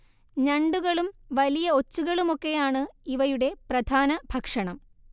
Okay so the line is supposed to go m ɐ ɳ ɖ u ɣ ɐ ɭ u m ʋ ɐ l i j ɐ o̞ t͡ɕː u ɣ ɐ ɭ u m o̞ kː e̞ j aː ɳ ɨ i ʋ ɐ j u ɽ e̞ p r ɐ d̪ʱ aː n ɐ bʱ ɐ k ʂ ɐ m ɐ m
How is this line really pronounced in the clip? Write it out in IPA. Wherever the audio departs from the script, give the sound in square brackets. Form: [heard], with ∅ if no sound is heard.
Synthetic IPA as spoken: [ɲ] ɐ ɳ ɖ u ɣ ɐ ɭ u m ʋ ɐ l i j ɐ o̞ t͡ɕː u ɣ ɐ ɭ u m o̞ kː e̞ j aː ɳ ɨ i ʋ ɐ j u ɽ e̞ p r ɐ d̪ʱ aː n ɐ bʱ ɐ k ʂ ɐ [ɳ] ɐ m